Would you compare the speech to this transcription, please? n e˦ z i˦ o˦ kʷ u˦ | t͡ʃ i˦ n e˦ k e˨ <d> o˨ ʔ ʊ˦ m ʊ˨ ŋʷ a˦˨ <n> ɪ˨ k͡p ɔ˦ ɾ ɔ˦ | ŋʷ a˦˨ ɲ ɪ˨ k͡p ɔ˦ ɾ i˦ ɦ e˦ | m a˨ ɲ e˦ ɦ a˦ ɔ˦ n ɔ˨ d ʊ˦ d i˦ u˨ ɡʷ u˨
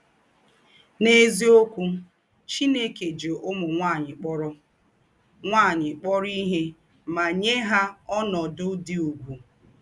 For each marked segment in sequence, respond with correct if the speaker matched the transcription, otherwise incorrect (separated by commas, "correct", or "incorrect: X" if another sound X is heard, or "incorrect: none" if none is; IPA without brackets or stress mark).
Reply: incorrect: d͡ʒ, incorrect: ɲ